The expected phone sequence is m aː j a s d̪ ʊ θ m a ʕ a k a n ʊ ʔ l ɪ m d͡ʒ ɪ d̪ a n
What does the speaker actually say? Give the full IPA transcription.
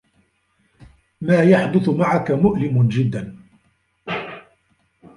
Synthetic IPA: m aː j a ħ d̪ ʊ θ m a ʕ a k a m ʊ ʔ l ɪ m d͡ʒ ɪ d̪ː a n

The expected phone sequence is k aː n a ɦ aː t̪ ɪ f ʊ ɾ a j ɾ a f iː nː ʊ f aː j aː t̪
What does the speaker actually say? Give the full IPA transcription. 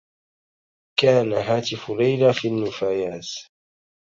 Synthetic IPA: k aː n a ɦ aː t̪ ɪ f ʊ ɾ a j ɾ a f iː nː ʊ f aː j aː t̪

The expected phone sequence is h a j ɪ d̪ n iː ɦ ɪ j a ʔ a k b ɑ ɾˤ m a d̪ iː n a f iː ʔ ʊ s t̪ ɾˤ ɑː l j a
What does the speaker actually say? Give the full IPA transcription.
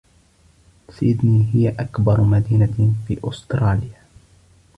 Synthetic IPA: s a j ɪ d̪ n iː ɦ ɪ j a ʔ a k b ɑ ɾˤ m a d̪ iː n a f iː ʔ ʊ s t̪ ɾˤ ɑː l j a

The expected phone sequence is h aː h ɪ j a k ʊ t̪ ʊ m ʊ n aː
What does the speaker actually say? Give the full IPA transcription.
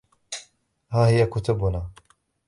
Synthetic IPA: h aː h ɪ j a k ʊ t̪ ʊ b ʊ n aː

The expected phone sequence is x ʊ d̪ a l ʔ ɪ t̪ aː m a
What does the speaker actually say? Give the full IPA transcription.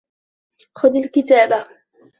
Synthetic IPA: x ʊ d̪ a l k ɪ t̪ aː b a

